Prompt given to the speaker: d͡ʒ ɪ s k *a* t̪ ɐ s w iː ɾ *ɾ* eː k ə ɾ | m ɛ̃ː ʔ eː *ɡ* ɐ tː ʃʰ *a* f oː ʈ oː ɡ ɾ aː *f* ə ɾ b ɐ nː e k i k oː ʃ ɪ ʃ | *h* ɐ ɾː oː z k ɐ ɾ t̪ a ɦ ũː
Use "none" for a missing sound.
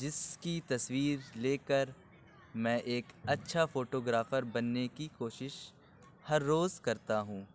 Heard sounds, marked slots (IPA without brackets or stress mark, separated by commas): i, l, k, a, f, h